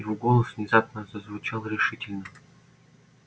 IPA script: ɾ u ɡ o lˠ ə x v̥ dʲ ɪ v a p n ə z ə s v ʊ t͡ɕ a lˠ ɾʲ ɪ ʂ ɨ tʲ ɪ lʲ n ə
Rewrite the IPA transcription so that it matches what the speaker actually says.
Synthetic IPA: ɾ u ɡ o lˠ ə s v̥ nʲ ɪ z a p n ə z ə z v ʊ t͡ɕ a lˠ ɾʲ ɪ ʂ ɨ tʲ ɪ lʲ n ə